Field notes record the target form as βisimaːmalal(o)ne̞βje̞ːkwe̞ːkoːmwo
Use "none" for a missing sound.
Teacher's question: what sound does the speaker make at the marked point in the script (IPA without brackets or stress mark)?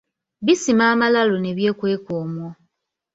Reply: o